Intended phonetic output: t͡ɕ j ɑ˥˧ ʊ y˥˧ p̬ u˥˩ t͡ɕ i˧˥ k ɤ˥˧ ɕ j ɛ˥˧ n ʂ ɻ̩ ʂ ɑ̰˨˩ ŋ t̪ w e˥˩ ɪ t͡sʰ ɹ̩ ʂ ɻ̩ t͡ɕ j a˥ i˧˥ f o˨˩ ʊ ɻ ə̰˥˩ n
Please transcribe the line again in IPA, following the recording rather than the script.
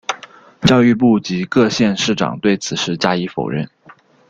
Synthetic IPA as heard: t͡ɕ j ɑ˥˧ ʊ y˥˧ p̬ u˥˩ t͡ɕ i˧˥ k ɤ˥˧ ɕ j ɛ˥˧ n ʂ ɻ̩ ʈ͡ʂ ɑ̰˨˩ ŋ t̪ w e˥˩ ɪ t͡sʰ ɹ̩ ʂ ɻ̩ t͡ɕ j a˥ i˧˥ f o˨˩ ʊ ɻ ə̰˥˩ n

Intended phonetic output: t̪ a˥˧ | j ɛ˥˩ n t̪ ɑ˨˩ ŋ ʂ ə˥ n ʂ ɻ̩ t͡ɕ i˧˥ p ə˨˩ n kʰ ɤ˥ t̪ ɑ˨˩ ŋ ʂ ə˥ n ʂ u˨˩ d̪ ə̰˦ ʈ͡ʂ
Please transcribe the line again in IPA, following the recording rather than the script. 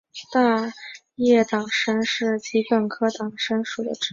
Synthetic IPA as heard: t̪ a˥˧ | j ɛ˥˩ t̪ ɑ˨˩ ŋ ʂ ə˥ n ʂ ɻ̩ t͡ɕ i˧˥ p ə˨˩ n kʰ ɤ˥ t̪ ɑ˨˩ ŋ ʂ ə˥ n ʂ u˨˩ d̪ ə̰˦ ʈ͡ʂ

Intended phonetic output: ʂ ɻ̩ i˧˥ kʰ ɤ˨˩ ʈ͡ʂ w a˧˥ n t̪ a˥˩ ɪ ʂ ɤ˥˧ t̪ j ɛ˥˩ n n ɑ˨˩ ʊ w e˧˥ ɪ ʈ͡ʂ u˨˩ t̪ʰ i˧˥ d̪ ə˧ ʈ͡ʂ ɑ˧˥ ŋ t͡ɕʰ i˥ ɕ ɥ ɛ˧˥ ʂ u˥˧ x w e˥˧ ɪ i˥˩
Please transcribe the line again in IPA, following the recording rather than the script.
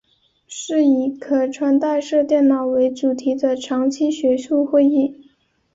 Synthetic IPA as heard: ʂ ɻ̩ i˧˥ kʰ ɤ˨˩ ʈ͡ʂʰ w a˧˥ n t̪ a˥˧ ɪ ʂ ɤ˥˧ t̪ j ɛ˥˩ n n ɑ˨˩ ʊ w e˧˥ ɪ ʈ͡ʂ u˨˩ t̪ʰ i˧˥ d̪ ə˧ ʈ͡ʂʰ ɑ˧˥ ŋ t͡ɕʰ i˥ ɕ ɥ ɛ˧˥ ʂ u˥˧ x w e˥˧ ɪ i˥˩

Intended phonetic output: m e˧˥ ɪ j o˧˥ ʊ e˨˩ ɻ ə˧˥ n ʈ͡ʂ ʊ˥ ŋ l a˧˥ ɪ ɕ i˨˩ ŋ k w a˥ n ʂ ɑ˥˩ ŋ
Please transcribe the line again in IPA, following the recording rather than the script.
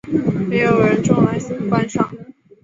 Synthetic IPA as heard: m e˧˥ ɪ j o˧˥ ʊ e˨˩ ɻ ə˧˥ n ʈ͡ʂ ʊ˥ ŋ l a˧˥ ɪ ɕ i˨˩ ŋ k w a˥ n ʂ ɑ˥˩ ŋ

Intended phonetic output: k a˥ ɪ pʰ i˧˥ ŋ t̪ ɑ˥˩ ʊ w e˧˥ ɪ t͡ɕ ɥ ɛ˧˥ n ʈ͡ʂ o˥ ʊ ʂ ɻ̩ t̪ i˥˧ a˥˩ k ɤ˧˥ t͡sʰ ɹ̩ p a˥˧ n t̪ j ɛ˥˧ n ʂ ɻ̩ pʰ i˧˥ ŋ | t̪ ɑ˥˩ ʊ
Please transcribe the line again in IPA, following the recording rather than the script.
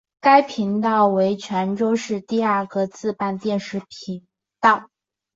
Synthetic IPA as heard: k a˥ ɪ pʰ i˧˥ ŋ t̪ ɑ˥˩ ʊ w e˧˥ ɪ t͡ɕʰ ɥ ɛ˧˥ n ʈ͡ʂ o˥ ʊ ʂ ɻ̩ t̪ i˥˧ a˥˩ k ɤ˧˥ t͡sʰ ɹ̩ p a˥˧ n t̪ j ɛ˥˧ n ʂ ɻ̩ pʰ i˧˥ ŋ | t̪ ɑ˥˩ ʊ

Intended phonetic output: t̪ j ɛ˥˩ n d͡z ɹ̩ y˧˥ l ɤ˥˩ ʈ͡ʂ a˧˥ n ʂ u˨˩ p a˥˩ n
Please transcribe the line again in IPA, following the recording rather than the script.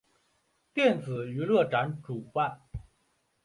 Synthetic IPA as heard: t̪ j ɛ˥˩ n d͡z ɹ̩ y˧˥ l ɤ˥˩ ʈ͡ʂ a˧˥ n ʈ͡ʂ u˨˩ p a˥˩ n

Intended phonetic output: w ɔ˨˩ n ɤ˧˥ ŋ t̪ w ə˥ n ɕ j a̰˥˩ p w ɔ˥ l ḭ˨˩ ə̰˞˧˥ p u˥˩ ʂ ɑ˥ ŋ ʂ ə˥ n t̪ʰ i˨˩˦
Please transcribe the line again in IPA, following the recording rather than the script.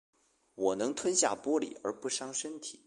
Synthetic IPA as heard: w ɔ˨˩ n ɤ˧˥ ŋ t̪ʰ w ə˥ n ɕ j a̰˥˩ p w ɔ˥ l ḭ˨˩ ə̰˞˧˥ p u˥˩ ʂ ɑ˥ ŋ ʂ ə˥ n t̪ʰ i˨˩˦

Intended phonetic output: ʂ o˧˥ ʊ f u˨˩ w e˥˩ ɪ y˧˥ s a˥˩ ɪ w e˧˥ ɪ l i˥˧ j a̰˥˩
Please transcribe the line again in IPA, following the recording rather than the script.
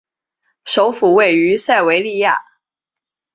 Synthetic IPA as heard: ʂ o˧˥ ʊ f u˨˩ w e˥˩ ɪ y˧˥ s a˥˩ ɪ w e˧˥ ɪ l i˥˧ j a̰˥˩

